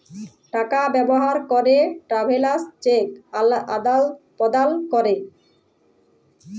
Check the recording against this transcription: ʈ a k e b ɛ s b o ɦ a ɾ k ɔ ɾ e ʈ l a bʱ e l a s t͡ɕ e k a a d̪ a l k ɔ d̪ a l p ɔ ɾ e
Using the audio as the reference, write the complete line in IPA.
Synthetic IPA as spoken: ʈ a k a b ɛ b o ɦ a ɾ k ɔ ɾ e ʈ ɾ a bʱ e l a s t͡ɕ e k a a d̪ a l p ɔ d̪ a l k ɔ ɾ e